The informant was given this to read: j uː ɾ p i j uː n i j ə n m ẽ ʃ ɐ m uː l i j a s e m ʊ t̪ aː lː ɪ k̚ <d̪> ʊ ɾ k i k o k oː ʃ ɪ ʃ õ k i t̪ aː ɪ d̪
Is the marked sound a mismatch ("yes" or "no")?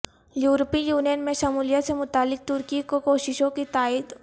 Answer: yes